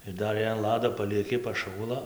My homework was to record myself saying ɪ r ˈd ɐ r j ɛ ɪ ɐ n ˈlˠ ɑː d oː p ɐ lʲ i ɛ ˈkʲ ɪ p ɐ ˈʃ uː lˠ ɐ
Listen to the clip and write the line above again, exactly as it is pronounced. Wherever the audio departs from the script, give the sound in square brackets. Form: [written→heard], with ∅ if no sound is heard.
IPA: ɪ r ˈd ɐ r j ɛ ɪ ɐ n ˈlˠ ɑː d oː p ɐ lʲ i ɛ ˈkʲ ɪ p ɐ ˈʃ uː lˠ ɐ